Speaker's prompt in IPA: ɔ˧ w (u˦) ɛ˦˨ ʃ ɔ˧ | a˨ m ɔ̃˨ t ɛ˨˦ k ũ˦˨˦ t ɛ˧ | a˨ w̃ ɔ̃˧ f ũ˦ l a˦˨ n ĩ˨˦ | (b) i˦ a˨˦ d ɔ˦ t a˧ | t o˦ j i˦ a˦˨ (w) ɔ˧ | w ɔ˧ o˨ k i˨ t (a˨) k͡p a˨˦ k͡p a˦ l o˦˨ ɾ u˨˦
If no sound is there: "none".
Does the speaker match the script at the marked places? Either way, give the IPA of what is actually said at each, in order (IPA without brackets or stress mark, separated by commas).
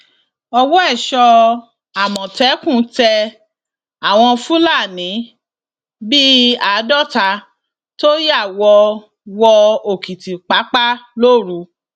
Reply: ɔ˦, b, w, i˨